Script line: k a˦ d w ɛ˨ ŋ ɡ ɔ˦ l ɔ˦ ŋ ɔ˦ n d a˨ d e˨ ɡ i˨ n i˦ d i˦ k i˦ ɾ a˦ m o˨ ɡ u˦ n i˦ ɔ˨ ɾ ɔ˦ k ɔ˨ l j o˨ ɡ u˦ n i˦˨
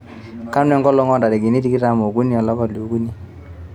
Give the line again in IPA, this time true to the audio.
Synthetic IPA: k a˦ n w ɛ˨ ŋ ɡ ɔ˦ l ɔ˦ ŋ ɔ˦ n d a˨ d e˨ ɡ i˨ n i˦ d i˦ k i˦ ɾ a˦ m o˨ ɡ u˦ n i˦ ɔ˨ l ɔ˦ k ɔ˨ l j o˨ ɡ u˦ n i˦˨